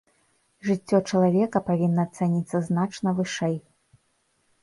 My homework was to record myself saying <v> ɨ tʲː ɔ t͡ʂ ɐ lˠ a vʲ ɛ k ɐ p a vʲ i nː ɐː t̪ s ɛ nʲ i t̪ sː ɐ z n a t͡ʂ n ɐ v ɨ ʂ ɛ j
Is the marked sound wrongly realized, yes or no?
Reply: yes